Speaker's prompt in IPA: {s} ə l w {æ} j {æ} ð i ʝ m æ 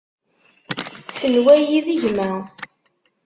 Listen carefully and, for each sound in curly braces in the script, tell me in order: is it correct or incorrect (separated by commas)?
correct, correct, incorrect